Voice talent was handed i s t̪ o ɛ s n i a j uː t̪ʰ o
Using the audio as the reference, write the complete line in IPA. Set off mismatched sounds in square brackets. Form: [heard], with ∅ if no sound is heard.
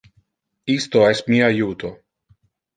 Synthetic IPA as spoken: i s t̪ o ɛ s [m] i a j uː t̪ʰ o